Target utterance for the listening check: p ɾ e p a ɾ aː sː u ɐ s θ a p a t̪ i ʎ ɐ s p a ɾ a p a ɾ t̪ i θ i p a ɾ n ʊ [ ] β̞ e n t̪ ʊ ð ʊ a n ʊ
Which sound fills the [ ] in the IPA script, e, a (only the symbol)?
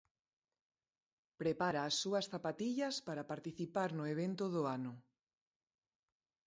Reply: e